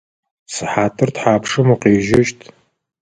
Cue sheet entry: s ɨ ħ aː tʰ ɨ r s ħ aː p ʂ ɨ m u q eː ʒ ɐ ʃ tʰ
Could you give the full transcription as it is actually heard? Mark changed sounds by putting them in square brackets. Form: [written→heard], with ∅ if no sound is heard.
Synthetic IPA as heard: s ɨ ħ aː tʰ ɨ r [s→t] ħ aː p ʂ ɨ m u q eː ʒ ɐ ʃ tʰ